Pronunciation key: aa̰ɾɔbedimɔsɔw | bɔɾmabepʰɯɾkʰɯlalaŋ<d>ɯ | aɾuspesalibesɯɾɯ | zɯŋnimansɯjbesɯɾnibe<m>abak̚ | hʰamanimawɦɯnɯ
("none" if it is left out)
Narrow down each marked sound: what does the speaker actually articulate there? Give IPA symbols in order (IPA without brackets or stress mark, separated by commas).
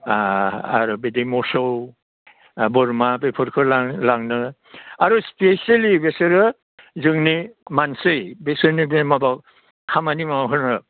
n, m